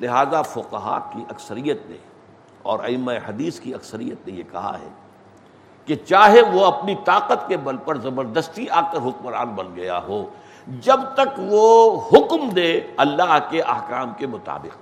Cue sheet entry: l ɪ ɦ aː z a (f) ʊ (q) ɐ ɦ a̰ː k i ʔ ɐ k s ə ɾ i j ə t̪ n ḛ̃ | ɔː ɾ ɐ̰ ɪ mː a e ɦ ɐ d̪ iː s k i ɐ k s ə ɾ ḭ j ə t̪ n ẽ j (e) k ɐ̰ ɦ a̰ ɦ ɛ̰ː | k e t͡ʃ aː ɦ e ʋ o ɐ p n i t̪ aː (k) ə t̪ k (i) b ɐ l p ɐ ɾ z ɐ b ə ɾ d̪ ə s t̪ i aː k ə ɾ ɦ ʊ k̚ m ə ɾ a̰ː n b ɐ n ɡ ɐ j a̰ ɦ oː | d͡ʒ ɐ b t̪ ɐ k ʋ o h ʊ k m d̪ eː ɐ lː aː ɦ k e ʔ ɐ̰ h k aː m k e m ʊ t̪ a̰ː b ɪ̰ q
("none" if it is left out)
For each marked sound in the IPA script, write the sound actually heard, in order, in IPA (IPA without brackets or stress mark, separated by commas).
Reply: f, q, e, q, e